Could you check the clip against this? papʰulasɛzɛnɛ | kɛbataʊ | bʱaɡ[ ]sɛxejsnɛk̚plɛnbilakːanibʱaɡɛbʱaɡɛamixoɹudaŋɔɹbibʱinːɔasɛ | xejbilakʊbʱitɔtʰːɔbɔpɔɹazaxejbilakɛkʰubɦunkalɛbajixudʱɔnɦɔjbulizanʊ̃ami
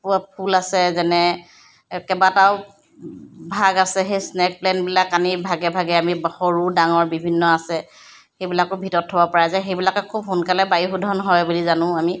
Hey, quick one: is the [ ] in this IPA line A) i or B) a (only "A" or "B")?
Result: B